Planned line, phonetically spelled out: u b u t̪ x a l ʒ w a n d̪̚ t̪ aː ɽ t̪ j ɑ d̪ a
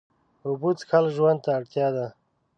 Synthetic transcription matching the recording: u b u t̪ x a l ʒ w a n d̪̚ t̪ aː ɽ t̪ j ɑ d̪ a